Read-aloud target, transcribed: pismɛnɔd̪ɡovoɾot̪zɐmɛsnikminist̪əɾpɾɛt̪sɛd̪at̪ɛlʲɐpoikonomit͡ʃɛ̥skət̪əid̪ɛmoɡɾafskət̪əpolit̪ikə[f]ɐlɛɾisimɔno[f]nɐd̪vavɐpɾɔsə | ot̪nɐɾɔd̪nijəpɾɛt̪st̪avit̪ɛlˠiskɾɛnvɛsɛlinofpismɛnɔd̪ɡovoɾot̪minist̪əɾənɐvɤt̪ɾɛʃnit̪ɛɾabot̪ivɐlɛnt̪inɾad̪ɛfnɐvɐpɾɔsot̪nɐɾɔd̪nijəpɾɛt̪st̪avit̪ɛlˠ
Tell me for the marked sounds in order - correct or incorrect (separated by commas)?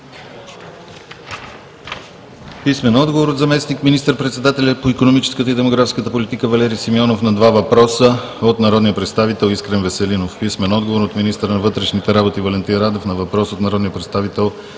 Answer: incorrect, correct